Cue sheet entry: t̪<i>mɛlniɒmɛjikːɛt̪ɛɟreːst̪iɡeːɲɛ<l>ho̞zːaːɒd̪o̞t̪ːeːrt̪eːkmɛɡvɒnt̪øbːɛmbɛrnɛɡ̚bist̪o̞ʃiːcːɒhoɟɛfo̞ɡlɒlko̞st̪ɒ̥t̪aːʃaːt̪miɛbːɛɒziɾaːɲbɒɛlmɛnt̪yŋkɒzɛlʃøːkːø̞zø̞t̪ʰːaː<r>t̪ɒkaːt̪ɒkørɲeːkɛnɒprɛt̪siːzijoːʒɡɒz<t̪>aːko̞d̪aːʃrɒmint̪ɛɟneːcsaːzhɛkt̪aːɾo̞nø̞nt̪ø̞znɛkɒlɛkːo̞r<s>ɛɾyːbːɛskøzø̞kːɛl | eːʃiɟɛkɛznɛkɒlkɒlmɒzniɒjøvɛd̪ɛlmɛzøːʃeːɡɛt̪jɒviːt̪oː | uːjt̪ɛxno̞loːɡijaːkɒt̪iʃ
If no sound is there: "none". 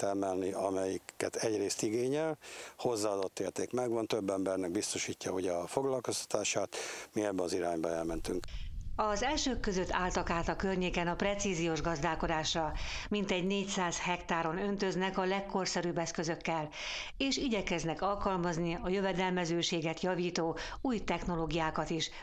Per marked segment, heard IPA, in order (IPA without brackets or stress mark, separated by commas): ɛ, l, l, d̪, s